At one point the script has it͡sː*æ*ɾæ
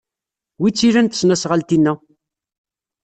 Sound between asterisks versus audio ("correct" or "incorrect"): incorrect